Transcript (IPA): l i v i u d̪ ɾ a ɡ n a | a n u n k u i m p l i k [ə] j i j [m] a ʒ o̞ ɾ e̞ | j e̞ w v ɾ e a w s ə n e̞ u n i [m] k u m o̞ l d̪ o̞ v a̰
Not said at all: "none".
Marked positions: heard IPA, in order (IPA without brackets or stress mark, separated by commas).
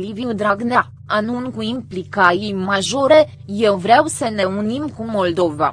a, m, m